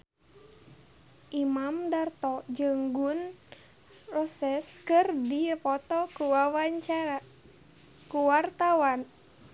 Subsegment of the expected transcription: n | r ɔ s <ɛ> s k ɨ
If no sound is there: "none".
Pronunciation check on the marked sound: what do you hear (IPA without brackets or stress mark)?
ɛ